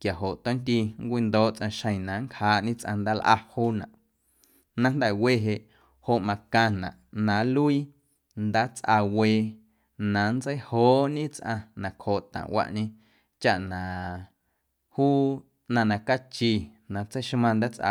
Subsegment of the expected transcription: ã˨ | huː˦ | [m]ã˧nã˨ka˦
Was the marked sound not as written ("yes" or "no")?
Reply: yes